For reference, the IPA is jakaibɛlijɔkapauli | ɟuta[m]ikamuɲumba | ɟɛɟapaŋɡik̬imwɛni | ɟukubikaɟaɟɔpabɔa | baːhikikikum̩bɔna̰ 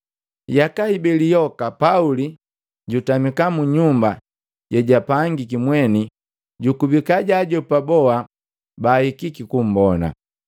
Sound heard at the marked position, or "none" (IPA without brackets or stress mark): m